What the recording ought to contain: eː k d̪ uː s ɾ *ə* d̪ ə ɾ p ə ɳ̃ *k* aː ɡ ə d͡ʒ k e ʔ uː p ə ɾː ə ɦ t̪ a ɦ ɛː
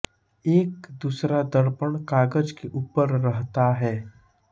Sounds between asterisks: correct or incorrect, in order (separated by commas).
incorrect, correct